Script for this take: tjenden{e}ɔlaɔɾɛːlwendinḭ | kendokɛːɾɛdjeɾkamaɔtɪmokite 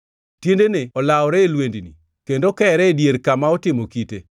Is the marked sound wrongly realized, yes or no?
no